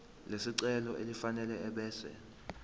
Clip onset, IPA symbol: l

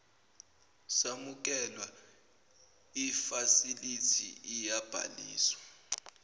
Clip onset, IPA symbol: s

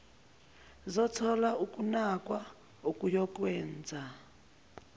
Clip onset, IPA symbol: z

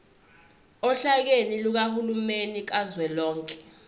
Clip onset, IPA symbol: ɔ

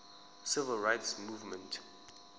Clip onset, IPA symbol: s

